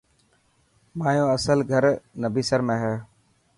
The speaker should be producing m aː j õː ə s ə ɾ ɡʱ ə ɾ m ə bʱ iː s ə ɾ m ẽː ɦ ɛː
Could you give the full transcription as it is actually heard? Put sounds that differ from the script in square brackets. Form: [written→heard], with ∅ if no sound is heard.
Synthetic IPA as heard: m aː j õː ə s ə [ɾ→l] ɡʱ ə ɾ [m→n] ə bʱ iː s ə ɾ m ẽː ɦ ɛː